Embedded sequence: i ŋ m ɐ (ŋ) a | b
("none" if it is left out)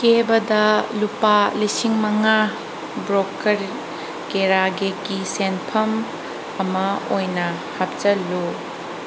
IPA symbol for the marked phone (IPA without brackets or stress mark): ŋ